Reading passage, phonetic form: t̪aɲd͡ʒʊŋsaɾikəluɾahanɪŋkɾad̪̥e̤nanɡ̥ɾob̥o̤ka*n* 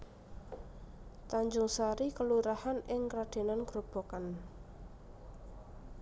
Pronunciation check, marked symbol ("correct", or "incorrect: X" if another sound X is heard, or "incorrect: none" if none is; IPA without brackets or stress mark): correct